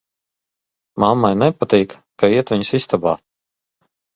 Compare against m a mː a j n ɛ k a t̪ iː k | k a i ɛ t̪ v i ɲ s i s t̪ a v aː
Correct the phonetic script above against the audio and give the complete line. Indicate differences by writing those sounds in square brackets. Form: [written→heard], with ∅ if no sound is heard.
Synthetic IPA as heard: m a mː a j n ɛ [k→p] a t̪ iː k | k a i ɛ t̪ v i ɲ s i s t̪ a [v→b] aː